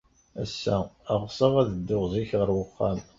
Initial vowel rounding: unrounded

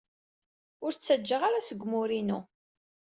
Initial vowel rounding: rounded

